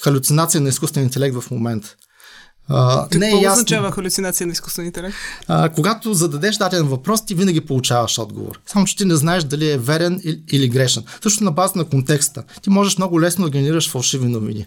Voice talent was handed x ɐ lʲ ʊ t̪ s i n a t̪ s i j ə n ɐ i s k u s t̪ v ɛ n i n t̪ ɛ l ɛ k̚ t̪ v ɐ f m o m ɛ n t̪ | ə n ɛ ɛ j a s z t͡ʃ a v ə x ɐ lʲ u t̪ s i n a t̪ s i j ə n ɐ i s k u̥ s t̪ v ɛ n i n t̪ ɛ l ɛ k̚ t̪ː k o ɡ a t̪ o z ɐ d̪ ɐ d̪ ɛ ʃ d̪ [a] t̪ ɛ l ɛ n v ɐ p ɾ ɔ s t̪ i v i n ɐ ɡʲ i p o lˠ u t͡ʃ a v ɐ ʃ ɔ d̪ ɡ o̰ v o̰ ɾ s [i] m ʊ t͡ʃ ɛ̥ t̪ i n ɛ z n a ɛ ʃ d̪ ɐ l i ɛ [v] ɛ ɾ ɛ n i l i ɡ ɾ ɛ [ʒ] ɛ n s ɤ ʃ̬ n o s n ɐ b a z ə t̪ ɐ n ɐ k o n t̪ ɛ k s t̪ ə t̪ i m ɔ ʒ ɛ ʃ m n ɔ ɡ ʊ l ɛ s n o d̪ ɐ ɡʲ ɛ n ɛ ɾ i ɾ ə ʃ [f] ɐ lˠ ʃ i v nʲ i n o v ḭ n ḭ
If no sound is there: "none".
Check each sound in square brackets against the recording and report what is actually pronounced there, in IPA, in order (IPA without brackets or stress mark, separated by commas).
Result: a, a, v, ʃ, f